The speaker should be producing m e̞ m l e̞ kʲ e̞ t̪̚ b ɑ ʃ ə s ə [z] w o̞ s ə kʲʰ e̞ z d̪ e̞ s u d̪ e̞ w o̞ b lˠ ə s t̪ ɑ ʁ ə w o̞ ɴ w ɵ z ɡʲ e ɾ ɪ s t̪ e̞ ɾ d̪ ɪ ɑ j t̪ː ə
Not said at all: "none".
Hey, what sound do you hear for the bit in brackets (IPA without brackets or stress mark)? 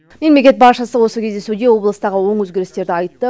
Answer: none